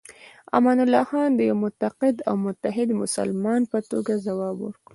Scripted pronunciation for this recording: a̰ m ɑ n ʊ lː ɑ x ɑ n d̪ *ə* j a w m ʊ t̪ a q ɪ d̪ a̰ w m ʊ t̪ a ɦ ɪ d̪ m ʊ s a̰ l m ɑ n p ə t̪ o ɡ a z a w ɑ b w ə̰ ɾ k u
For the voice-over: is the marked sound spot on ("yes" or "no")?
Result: yes